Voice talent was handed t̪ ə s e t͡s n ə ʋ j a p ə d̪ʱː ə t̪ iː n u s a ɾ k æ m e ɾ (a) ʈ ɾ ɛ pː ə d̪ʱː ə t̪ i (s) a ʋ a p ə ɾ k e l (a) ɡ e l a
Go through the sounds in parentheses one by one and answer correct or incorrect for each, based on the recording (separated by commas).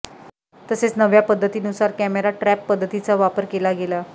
correct, incorrect, correct